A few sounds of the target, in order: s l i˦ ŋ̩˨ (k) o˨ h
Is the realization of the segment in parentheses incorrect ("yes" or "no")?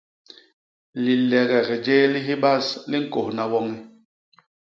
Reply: no